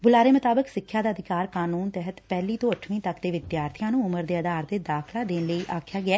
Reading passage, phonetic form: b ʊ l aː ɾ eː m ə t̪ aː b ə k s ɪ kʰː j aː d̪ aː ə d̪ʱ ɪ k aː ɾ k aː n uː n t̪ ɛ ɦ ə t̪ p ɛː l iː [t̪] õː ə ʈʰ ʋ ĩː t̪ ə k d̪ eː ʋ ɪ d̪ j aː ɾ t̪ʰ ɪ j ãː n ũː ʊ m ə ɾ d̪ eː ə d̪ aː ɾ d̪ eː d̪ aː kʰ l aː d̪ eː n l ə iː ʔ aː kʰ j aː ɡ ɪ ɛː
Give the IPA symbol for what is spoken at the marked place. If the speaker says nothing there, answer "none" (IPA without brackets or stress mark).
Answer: t̪